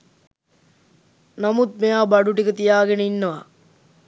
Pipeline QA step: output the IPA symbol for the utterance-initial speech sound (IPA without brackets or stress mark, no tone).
n